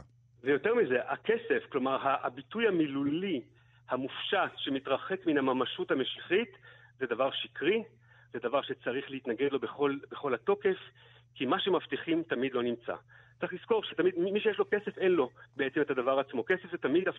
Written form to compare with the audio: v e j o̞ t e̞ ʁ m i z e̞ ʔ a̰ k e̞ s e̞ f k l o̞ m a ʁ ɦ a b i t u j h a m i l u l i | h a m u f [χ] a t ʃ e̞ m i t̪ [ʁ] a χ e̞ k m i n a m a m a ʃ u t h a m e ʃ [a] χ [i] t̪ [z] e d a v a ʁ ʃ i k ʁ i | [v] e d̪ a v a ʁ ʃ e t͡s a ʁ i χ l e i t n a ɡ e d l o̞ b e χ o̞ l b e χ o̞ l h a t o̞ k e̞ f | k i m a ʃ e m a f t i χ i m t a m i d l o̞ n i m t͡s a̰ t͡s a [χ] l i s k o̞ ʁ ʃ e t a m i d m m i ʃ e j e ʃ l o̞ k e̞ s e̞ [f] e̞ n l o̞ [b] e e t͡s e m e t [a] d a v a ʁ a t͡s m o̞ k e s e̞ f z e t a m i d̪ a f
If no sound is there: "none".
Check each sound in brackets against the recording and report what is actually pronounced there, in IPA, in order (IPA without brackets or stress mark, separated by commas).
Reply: ʃ, ʁ, i, i, z, z, χ, f, b, a